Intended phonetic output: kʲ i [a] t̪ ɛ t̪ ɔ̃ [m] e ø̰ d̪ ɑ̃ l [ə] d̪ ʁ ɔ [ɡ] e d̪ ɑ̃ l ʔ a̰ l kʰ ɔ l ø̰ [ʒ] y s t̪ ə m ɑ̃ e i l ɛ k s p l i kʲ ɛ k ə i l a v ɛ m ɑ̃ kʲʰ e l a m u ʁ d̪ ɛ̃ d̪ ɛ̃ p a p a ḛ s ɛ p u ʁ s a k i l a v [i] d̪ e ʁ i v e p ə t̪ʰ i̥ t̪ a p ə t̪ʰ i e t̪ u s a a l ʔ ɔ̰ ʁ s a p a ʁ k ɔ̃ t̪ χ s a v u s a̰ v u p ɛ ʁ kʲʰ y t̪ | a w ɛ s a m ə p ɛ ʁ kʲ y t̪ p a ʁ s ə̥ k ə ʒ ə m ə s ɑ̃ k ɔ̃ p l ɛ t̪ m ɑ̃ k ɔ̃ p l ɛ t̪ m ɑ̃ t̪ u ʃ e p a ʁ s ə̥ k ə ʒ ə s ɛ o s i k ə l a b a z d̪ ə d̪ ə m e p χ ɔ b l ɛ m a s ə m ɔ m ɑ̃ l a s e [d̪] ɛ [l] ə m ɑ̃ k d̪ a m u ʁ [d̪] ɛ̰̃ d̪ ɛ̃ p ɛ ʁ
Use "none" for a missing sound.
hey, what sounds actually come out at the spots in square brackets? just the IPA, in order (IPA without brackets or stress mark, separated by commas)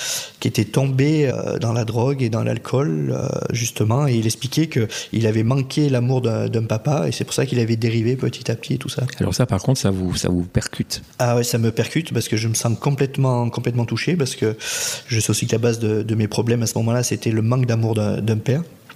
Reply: e, b, a, ɡ, ʒ, ɛ, t̪, l, d̪